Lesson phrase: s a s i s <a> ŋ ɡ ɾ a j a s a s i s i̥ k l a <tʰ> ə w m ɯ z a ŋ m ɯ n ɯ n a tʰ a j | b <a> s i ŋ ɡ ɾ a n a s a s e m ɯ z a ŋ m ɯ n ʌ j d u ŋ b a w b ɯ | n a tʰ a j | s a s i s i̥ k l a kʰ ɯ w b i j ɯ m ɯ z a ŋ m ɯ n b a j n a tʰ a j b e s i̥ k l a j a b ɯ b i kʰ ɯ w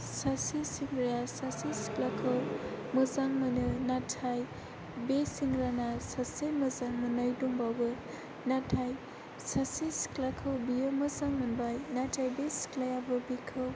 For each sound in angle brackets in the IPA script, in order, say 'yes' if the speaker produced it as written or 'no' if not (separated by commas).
no, no, no